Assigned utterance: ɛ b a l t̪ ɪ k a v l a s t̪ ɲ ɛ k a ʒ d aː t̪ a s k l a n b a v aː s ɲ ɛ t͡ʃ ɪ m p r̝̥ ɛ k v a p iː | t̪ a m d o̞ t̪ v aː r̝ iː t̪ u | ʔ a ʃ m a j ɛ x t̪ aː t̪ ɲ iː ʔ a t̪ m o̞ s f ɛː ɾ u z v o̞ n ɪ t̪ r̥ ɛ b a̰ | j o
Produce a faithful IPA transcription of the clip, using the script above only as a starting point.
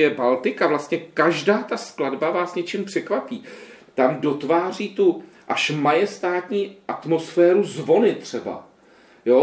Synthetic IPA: ɛ b a l t̪ ɪ k a v l a s t̪ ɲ ɛ k a ʒ d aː t̪ a s k l a d b a v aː s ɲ ɛ t͡ʃ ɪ m p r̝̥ ɛ k v a p iː | t̪ a m d o̞ t̪ v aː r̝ iː t̪ u | ʔ a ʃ m a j ɛ s t̪ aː t̪ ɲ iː ʔ a t̪ m o̞ s f ɛː ɾ u z v o̞ n ɪ t̪ r̥ ɛ b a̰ | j o